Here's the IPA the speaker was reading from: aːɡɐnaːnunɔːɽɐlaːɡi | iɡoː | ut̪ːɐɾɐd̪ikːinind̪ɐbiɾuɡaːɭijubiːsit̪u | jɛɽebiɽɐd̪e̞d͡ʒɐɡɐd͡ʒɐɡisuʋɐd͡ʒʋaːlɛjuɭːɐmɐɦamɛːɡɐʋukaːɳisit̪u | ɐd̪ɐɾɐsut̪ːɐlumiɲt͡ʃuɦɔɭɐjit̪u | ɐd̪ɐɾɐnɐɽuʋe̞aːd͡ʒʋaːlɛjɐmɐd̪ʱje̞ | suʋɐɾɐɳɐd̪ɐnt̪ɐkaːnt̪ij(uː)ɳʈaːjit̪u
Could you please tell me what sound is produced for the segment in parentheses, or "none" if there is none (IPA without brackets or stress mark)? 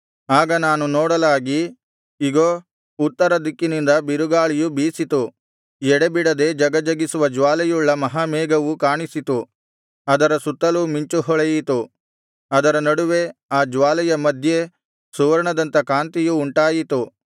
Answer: uː